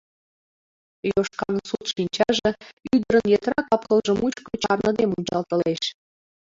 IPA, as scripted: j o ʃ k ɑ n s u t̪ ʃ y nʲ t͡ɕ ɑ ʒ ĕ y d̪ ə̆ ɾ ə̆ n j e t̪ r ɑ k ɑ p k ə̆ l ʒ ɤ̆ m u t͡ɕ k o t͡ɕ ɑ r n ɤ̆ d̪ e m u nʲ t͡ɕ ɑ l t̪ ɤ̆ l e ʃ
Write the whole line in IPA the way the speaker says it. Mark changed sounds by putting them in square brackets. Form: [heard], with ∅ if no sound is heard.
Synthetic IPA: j o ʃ k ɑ n s u t̪ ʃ [i] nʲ t͡ɕ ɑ ʒ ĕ y d̪ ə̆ ɾ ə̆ n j e t̪ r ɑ k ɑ p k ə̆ l ʒ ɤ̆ m u t͡ɕ k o t͡ɕ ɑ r n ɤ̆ d̪ e m u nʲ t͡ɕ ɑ l t̪ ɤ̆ l e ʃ